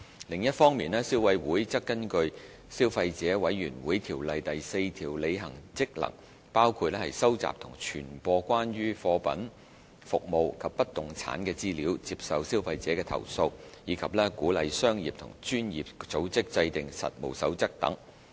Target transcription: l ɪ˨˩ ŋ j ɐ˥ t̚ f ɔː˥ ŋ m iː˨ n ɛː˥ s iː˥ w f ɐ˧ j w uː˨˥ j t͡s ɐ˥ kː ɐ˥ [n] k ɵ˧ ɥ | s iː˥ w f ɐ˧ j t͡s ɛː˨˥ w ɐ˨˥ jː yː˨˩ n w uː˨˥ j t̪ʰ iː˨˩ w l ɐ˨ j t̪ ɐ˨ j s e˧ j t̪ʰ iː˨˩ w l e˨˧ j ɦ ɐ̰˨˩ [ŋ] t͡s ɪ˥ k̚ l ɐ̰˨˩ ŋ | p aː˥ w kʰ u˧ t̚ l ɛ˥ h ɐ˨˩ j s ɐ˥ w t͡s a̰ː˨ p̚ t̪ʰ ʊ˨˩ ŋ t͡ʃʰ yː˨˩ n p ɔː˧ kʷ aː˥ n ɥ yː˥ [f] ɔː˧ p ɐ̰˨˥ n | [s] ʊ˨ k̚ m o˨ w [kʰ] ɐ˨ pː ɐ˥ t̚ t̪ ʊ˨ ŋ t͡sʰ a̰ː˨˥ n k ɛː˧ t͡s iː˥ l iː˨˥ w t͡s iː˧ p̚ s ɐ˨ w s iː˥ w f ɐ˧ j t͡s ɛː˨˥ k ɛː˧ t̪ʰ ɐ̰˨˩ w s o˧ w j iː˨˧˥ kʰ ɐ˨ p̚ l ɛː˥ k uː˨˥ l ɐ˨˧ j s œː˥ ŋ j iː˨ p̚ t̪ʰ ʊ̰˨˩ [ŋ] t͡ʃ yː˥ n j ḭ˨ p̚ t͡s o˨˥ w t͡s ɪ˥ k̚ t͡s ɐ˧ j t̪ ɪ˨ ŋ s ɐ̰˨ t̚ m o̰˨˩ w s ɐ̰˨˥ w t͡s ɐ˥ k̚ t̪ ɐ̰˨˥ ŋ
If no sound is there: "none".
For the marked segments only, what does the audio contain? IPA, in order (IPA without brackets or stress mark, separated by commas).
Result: n, ŋ, f, f, kʰ, ŋ